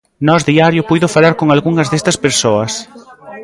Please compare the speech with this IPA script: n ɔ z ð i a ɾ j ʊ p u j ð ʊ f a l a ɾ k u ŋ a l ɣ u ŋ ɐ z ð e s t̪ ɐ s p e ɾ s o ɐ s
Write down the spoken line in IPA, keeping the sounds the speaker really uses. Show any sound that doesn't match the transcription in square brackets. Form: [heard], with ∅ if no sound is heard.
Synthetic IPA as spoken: n ɔ z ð i a ɾ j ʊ p u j ð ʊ f a l a ɾ k [o] ŋ a l ɣ u ŋ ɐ z ð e s t̪ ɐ s p e ɾ s o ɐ s